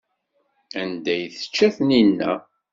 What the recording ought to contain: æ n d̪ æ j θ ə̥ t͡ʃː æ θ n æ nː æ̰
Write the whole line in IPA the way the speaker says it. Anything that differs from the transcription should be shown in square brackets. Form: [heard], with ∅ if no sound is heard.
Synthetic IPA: æ n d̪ æ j θ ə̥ t͡ʃː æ θ n [i] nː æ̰